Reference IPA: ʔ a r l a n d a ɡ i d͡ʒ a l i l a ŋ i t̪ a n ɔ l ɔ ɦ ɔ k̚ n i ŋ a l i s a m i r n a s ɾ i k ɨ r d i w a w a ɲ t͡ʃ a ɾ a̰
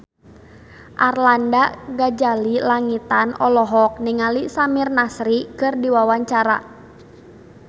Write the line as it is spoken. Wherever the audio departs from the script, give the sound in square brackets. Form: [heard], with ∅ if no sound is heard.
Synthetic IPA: ʔ a r l a n d a ɡ [a] d͡ʒ a l i l a ŋ i t̪ a n ɔ l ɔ ɦ ɔ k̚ n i ŋ a l i s a m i r n a s ɾ i k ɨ r d i w a w a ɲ t͡ʃ a ɾ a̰

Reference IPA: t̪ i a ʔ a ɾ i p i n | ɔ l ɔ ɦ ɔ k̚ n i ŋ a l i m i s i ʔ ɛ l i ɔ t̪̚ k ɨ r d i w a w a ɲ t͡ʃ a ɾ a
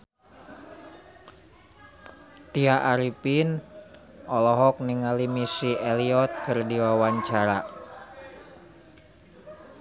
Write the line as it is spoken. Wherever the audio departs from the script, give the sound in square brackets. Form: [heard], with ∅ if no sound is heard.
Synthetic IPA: t̪ i a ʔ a ɾ i p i n | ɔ l ɔ ɦ ɔ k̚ n i ŋ a l i m i s i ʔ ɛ l i ɔ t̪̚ k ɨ r d i w a w a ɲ t͡ʃ a ɾ a

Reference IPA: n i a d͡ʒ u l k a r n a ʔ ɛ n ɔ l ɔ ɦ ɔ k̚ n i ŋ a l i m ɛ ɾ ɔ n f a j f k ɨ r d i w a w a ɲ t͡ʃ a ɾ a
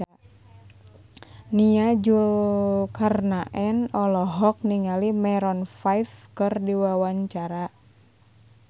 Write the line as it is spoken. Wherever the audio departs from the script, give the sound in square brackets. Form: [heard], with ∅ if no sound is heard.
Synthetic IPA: n i a d͡ʒ u l k a r n a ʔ ɛ n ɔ l ɔ ɦ ɔ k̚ n i ŋ a l i m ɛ ɾ ɔ n f a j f k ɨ r d i w a w a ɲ t͡ʃ a ɾ a

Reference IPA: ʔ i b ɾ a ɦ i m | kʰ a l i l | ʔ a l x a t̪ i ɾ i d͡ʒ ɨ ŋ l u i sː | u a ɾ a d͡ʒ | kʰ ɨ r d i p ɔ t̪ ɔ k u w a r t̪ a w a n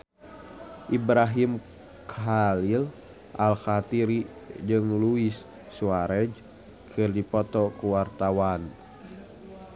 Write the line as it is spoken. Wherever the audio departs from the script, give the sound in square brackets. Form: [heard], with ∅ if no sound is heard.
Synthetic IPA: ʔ i b ɾ a ɦ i m | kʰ a l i l | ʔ a l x a t̪ i ɾ i d͡ʒ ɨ ŋ l u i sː | u a ɾ [ɛ] d͡ʒ | kʰ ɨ r d i p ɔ t̪ ɔ k u w a r t̪ a w a n

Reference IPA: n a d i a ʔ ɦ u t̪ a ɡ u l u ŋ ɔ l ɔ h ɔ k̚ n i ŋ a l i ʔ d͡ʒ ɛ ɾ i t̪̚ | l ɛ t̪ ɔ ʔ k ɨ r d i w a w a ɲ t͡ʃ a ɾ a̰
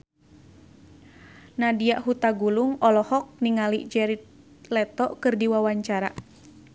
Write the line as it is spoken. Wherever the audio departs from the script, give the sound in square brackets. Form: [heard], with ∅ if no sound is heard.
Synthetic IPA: n a d i a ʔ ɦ u t̪ a ɡ u l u ŋ ɔ l ɔ h ɔ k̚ n i ŋ a l i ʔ d͡ʒ ɛ ɾ i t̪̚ | l ɛ t̪ ɔ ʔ k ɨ r d i w a w a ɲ t͡ʃ a ɾ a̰

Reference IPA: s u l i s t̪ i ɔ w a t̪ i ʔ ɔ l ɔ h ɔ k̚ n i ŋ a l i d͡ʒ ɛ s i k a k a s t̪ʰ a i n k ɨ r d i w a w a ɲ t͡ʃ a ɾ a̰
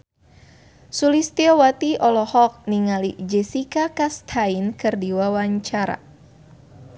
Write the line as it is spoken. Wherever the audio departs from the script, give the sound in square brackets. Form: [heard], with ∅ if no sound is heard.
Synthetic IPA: s u l i s t̪ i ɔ w a t̪ i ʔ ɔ l ɔ h ɔ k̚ n i ŋ a l i d͡ʒ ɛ s i k a k a s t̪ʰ a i n k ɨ r d i w a w a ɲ t͡ʃ a ɾ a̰

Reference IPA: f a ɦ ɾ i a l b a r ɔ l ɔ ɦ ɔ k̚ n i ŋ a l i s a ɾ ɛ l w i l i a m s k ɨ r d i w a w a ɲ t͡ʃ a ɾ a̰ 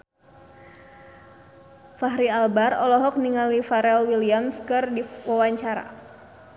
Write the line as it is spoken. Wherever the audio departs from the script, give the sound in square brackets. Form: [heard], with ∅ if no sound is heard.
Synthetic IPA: f a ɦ ɾ i a l b a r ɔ l ɔ ɦ ɔ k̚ n i ŋ a l i [f] a ɾ ɛ l w i l i a m s k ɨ r d i w a w a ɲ t͡ʃ a ɾ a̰

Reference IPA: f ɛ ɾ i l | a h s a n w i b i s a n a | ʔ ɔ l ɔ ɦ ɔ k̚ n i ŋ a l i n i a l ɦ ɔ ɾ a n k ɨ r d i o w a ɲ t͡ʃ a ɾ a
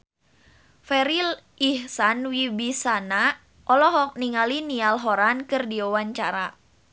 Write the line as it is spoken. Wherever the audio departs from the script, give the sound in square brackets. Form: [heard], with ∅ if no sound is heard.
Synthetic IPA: f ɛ ɾ i l | [i] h s a n w i b i s a n a | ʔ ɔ l ɔ ɦ ɔ k̚ n i ŋ a l i n i a l ɦ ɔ ɾ a n k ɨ r d i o w a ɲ t͡ʃ a ɾ a

